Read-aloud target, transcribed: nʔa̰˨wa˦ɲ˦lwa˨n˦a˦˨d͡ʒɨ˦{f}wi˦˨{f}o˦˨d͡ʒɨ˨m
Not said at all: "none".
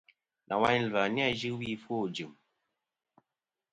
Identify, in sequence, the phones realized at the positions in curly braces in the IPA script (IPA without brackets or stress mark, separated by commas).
none, f